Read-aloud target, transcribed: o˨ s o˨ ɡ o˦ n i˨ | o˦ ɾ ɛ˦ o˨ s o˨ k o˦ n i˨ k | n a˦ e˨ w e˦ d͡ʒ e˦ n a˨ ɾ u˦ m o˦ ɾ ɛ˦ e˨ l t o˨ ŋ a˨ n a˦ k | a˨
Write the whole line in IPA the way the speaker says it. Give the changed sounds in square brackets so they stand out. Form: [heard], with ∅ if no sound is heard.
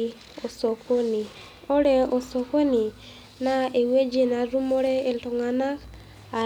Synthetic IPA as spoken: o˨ s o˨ [k] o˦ n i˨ | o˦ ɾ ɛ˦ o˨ s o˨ k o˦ n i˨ [∅] | n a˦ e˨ w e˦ d͡ʒ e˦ n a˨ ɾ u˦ m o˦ ɾ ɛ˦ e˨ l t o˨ ŋ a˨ n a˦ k | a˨